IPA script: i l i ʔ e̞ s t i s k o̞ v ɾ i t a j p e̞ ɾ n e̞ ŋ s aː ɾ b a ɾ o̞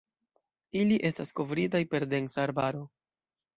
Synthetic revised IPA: i l i ʔ e̞ s t a s k o̞ v ɾ i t a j p e̞ ɾ d e̞ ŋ s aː ɾ b a ɾ o̞